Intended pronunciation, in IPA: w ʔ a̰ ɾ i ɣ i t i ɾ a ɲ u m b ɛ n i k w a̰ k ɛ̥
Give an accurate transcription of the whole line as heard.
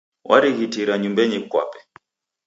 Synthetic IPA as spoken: w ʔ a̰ ɾ i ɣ i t i ɾ a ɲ u m b ɛ ɲ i k w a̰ p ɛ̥